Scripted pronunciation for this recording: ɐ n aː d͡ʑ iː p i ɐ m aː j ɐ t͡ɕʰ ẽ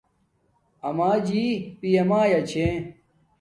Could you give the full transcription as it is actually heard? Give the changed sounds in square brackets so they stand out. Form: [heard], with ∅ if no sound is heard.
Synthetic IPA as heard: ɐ [m] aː d͡ʑ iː p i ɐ m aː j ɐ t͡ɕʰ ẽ